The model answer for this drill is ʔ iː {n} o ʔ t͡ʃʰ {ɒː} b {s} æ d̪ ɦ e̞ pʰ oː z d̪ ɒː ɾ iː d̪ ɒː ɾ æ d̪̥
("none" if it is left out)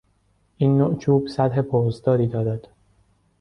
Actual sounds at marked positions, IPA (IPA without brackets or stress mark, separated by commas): nː, uː, s